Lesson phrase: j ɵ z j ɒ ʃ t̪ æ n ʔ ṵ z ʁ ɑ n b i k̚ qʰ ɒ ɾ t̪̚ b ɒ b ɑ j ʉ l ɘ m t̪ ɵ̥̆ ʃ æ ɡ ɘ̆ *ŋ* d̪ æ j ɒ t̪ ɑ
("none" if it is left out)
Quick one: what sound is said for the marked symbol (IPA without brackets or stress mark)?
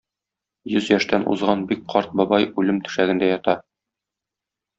n